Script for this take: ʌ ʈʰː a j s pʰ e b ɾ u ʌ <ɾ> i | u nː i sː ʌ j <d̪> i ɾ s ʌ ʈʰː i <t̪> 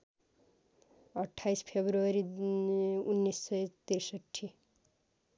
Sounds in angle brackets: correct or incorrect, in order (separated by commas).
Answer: correct, incorrect, incorrect